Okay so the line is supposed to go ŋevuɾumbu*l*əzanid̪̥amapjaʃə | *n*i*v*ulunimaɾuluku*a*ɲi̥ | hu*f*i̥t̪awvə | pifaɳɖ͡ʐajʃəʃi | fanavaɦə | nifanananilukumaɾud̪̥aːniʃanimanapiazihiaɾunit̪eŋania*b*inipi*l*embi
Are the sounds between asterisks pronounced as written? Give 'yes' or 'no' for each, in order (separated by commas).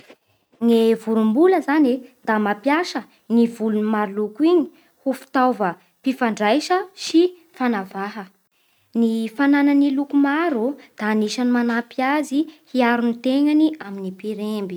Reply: yes, yes, yes, no, yes, no, no